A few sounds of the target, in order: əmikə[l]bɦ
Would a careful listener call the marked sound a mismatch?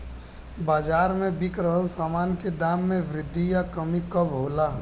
yes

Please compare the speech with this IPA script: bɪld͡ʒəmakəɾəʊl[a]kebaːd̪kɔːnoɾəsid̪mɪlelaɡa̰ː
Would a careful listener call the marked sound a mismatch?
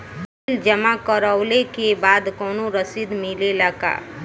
yes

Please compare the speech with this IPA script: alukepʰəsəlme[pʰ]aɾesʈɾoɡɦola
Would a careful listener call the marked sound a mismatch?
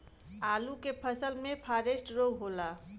no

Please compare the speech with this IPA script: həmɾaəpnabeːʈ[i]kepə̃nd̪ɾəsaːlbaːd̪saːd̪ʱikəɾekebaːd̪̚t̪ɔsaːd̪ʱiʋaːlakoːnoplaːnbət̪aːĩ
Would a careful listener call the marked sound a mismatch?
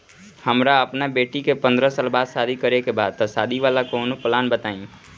no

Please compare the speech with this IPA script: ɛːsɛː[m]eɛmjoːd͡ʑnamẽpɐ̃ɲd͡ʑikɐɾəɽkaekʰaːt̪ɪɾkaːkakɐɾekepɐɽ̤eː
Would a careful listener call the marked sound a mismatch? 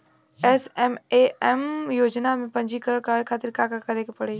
no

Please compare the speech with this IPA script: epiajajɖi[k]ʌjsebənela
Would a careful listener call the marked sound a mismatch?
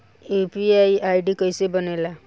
no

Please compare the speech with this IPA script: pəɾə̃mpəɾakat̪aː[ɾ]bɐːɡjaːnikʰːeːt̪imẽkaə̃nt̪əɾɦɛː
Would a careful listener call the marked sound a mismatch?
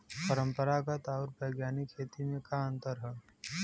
no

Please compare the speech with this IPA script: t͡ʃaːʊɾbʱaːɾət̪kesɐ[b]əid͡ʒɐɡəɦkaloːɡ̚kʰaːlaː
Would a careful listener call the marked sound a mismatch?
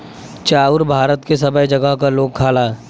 no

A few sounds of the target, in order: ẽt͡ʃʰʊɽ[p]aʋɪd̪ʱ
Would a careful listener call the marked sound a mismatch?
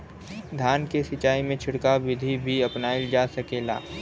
yes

